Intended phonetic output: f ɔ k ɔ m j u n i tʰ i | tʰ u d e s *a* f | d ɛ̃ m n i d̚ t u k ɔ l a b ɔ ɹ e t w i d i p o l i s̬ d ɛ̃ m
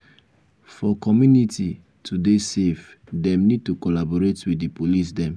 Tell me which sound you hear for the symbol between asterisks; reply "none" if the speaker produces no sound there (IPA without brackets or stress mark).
e